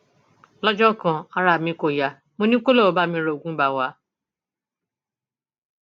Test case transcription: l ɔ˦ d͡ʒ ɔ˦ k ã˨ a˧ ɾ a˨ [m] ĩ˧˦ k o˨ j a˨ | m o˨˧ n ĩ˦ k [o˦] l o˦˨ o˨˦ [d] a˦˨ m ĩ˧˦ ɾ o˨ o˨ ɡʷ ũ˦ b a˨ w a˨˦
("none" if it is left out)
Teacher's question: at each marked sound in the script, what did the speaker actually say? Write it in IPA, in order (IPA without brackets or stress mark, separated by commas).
m, o˦, b